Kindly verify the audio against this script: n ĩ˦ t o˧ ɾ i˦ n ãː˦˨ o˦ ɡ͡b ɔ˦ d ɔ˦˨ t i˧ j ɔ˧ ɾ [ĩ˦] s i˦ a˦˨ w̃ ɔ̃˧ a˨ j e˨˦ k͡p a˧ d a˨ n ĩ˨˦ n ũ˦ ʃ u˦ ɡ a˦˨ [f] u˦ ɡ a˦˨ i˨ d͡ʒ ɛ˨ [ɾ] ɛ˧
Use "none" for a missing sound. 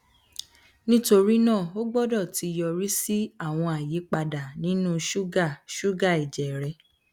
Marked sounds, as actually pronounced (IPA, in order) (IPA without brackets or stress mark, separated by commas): i˦, ʃ, ɾ